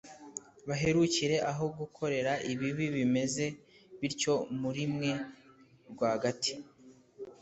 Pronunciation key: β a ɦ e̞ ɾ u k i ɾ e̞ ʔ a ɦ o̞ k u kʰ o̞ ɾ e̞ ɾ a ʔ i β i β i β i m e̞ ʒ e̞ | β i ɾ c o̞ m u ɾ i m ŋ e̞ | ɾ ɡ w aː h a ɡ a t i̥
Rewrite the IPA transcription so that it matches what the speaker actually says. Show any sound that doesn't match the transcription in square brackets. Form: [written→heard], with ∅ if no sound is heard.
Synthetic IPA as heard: β a ɦ e̞ ɾ u [k→c] i ɾ e̞ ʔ a ɦ o̞ [k→ɡ] u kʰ o̞ ɾ e̞ ɾ a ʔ i β i β i β i m e̞ [ʒ→z] e̞ | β i ɾ c o̞ m u ɾ i m ŋ e̞ | ɾ ɡ w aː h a ɡ a t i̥